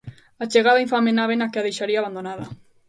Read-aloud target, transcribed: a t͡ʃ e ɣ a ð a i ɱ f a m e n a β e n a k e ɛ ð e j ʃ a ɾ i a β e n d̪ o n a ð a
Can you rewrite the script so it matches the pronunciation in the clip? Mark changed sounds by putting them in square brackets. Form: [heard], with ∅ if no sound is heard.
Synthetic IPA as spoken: a t͡ʃ e ɣ a ð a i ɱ f a m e n a β e n a k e [a] ð e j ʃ a ɾ i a β [a] n d̪ o n a ð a